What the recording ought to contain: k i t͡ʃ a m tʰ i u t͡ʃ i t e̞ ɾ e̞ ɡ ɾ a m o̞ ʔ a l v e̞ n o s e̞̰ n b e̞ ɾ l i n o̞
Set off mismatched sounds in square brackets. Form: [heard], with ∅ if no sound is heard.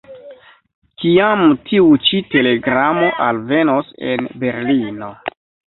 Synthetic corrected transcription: k i [∅] a m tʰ i u t͡ʃ i t e̞ [l] e̞ ɡ ɾ a m o̞ ʔ a l v e̞ n o s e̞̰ n b e̞ ɾ l i n o̞